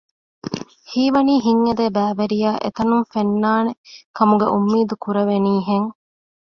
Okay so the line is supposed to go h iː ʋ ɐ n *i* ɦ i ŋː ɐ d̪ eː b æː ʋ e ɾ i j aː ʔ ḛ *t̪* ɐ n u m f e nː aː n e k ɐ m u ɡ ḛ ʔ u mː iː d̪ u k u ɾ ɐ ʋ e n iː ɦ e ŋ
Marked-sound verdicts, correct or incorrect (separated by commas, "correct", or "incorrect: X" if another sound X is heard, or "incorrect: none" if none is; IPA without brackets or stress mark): incorrect: iː, correct